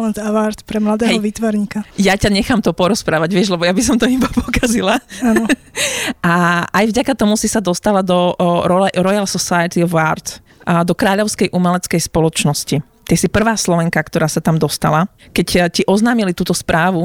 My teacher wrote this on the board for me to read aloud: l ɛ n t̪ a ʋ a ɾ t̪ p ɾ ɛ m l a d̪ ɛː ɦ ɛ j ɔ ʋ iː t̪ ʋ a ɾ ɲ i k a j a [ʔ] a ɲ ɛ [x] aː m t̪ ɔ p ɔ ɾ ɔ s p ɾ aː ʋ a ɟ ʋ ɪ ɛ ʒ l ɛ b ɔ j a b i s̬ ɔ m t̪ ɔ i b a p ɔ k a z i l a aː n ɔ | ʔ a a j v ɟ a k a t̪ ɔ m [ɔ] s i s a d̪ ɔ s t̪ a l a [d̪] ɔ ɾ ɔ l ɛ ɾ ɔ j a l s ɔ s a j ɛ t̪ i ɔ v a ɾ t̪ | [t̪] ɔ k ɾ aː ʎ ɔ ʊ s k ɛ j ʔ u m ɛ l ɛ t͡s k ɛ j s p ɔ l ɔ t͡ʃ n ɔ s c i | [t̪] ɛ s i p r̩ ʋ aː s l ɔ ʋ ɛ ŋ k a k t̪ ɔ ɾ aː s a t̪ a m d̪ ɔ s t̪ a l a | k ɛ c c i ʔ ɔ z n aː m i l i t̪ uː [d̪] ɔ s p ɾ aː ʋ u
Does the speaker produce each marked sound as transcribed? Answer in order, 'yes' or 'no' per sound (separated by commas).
no, yes, no, yes, no, yes, no